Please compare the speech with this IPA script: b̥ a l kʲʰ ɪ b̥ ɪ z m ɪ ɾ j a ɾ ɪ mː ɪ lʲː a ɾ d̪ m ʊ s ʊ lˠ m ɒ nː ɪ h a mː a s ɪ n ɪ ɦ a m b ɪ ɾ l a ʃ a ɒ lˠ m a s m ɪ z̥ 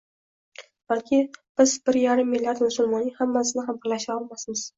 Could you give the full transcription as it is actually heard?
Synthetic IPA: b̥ a l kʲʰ ɪ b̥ ɪ z b ɪ ɾ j a ɾ ɪ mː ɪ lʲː a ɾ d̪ m ʊ s ʊ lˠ m ɒ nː ɪ h a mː a s ɪ n ɪ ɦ a m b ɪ ɾ l a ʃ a ɒ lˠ m a s m ɪ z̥